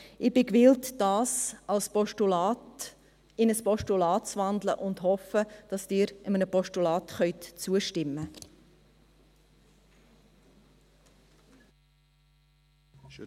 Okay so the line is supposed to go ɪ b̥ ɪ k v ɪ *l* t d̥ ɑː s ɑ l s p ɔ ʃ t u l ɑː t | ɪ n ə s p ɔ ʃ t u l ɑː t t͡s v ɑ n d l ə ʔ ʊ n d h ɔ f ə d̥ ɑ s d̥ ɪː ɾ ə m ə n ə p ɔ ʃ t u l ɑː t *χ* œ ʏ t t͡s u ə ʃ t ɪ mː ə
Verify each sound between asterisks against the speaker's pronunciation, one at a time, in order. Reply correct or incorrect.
correct, correct

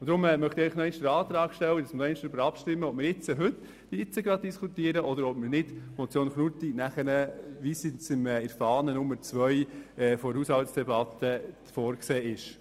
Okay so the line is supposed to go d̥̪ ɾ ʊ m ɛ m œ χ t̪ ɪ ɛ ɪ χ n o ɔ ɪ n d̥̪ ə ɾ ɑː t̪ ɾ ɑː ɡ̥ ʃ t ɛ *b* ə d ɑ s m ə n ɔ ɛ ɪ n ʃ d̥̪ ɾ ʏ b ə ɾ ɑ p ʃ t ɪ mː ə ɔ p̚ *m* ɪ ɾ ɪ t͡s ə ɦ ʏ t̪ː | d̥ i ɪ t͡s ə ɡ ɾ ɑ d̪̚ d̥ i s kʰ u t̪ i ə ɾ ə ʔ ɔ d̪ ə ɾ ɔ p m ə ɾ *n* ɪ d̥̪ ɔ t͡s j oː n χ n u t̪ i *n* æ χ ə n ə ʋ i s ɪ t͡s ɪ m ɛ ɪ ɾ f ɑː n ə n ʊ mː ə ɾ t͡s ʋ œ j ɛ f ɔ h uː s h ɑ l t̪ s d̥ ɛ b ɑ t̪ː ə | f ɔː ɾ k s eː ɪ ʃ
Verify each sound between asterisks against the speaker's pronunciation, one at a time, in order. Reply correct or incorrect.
incorrect, correct, correct, correct

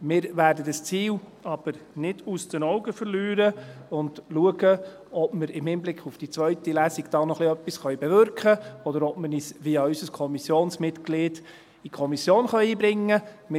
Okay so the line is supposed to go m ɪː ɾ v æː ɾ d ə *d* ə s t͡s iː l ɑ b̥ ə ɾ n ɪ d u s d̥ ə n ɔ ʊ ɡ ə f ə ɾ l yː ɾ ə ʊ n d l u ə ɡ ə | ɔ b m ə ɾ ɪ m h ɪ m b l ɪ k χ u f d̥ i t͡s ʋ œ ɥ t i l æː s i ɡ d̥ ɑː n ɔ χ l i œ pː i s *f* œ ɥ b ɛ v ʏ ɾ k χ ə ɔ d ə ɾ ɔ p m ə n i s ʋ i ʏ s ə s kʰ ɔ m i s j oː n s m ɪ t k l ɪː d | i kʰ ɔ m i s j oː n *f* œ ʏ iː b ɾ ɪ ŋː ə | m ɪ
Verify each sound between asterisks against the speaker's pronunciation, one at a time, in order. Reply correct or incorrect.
correct, incorrect, incorrect

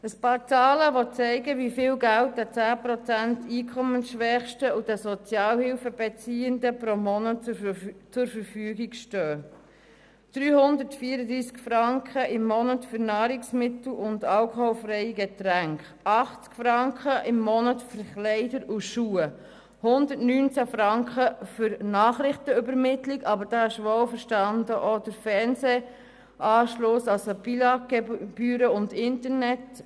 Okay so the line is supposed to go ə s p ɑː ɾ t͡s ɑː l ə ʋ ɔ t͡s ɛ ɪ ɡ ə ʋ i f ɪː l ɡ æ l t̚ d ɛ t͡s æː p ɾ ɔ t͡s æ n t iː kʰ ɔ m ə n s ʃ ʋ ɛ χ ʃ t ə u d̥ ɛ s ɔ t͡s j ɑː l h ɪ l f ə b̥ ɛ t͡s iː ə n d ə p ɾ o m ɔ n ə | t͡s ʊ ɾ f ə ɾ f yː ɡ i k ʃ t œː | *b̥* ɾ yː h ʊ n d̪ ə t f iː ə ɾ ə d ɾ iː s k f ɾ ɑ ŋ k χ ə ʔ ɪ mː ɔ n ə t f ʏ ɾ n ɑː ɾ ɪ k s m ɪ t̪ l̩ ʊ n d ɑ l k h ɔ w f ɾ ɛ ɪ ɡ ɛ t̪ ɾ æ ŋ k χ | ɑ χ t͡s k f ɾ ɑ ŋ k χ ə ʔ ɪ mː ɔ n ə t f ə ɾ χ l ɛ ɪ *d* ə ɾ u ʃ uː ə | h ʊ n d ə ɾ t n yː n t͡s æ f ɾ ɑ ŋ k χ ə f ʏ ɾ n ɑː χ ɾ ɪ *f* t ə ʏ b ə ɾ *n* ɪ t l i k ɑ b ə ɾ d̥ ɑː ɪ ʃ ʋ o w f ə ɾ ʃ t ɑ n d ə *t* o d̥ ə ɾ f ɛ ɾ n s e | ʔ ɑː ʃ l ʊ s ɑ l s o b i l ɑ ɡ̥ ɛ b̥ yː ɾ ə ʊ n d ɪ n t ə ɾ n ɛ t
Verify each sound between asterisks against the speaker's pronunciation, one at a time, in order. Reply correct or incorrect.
incorrect, correct, incorrect, incorrect, incorrect

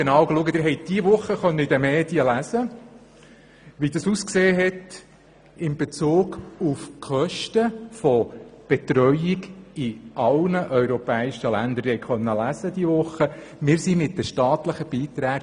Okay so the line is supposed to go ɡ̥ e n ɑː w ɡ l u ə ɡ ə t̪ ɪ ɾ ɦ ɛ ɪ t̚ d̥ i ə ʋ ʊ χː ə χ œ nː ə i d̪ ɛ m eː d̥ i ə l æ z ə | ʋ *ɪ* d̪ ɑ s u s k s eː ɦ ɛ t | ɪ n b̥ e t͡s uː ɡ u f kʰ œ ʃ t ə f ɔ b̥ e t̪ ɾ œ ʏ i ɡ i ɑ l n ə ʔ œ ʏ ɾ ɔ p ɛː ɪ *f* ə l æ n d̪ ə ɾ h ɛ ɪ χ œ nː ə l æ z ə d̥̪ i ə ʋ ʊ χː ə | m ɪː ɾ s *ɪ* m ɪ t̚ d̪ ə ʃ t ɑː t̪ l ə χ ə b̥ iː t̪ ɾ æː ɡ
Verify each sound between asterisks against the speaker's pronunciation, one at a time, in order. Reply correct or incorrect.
incorrect, incorrect, incorrect

